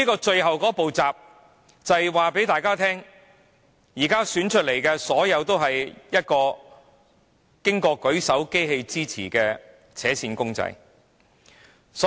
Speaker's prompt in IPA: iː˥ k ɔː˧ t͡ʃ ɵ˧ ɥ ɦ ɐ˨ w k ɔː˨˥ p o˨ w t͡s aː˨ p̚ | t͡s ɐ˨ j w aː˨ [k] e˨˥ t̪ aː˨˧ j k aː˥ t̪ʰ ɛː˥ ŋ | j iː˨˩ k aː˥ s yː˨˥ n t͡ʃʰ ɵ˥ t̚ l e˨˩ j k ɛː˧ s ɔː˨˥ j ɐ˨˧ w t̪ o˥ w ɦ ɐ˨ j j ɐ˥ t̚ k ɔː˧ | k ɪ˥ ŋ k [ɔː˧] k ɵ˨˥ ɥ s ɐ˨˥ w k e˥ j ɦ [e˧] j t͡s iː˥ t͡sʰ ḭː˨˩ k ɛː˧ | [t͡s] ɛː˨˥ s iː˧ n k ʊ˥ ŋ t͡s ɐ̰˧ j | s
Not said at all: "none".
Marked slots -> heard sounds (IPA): p, ɔː˧, e˧, t͡sʰ

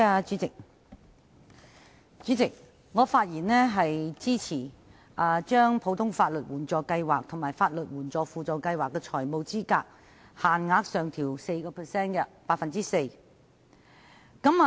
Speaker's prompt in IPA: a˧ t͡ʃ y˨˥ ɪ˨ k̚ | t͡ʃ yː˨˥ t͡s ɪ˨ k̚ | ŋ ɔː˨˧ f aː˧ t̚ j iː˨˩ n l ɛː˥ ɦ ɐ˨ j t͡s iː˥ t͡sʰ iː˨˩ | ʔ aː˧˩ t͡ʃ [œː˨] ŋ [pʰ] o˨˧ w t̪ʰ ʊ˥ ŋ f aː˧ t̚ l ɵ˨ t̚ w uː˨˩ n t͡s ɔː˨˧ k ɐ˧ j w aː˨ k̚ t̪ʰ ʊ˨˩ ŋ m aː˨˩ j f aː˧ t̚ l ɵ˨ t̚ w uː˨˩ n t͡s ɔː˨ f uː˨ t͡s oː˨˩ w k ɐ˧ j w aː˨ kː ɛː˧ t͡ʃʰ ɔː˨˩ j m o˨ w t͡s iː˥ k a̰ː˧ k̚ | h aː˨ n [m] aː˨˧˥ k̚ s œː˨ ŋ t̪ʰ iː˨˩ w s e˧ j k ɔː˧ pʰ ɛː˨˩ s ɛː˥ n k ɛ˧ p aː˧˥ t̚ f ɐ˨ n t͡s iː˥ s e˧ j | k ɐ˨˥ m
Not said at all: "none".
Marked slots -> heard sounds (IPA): œː˥, pʰ, ŋ

